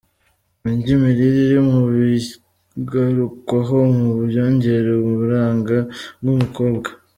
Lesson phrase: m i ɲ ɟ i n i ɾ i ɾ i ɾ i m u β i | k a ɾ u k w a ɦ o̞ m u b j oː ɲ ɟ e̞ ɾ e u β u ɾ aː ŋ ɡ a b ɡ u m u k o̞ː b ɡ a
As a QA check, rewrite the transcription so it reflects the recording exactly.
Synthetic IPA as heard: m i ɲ ɟ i m i ɾ i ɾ i ɾ i m u β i | ɡ a ɾ u k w a ɦ o̞ m u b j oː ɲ ɟ e̞ ɾ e u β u ɾ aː ŋ ɡ a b ɡ u m u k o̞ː b ɡ a